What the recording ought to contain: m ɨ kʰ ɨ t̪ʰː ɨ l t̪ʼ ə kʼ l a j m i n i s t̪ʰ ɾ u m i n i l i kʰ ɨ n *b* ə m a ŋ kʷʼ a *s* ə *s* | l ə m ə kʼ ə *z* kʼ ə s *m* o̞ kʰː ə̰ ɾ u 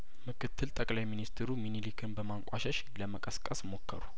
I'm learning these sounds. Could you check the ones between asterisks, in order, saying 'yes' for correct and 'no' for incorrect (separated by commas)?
yes, no, no, no, yes